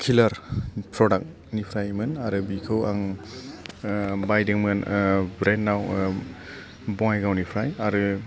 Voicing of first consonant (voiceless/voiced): voiceless